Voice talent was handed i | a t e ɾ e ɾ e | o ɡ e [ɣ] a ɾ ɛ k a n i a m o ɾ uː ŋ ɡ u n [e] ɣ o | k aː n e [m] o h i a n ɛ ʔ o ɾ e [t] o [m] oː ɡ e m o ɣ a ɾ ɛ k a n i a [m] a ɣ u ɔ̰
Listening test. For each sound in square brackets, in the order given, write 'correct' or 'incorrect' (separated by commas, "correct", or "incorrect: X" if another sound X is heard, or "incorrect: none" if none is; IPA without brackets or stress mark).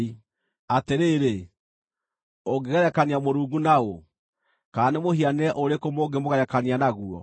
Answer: correct, incorrect: a, correct, incorrect: k, correct, incorrect: n